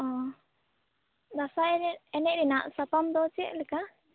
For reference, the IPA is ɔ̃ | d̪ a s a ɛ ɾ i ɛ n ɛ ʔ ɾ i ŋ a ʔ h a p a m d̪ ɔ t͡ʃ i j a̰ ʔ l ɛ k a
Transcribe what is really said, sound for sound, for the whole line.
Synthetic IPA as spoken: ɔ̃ | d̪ a s a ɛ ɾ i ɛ n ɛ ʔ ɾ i n a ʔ s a p a m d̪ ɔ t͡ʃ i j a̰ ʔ l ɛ k a